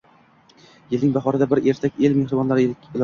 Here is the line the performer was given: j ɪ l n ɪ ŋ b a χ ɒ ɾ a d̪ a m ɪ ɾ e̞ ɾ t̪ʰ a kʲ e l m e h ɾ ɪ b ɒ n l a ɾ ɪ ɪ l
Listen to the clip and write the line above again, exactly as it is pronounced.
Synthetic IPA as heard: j ɪ l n ɪ ŋ b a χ ɒ ɾ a d̪ a b ɪ ɾ e̞ ɾ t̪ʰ a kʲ e l m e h ɾ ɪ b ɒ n l a ɾ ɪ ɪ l